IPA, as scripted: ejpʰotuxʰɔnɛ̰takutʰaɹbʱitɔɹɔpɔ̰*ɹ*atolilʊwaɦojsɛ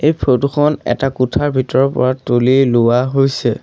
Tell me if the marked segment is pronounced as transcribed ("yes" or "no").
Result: yes